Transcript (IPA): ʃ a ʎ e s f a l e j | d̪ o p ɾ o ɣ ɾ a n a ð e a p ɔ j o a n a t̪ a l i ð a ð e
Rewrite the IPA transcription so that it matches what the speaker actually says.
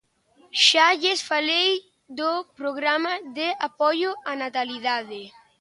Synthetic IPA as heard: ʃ a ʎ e s f a l e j | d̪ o p ɾ o ɣ ɾ a m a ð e a p ɔ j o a n a t̪ a l i ð a ð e

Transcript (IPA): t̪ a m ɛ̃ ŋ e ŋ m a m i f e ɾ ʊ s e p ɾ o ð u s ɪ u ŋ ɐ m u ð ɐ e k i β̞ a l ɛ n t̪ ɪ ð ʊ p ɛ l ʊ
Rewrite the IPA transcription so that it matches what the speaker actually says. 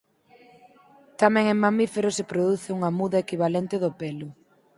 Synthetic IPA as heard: t̪ a m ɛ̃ ŋ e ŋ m a m i f e ɾ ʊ s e p ɾ o ð u θ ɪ u ŋ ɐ m u ð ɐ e k i β̞ a l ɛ n t̪ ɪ ð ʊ p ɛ l ʊ

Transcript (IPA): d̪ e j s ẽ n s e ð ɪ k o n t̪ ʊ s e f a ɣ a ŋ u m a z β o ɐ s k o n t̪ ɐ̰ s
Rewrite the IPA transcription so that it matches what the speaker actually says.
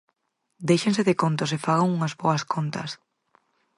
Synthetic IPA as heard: d̪ e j ʃ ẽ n s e ð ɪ k o n t̪ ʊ s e f a ɣ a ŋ u ŋ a z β o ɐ s k o n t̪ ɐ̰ s

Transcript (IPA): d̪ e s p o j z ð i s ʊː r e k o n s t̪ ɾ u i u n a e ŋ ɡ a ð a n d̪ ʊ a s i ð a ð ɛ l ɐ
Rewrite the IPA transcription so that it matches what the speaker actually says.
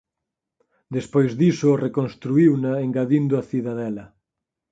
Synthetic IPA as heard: d̪ e s p o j z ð i s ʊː r e k o n s t̪ ɾ u i w n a e ŋ ɡ a ð i n d̪ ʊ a θ i ð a ð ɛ l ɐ

